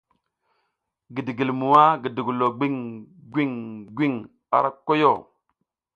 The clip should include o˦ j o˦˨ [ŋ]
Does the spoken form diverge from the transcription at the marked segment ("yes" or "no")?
yes